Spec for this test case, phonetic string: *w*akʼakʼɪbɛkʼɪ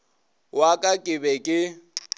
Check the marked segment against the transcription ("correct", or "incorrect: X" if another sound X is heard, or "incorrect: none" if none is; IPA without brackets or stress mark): correct